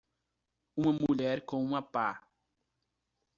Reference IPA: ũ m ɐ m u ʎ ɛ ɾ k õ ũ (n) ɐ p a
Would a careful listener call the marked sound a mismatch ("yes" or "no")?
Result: yes